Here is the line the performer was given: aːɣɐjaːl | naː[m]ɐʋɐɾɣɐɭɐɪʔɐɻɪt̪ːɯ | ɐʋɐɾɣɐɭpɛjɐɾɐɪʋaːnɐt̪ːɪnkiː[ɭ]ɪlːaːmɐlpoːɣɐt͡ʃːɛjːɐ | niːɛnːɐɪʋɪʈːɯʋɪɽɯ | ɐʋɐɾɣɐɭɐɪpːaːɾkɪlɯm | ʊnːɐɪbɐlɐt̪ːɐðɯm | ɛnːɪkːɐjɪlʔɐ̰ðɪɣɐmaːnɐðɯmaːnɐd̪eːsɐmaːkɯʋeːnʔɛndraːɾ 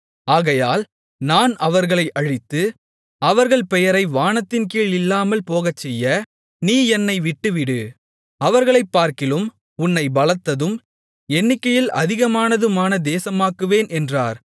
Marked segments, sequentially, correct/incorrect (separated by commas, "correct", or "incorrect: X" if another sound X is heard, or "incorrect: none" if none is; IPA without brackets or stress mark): incorrect: n, correct